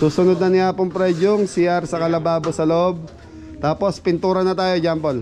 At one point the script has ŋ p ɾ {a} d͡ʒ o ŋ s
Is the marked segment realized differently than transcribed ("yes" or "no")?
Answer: yes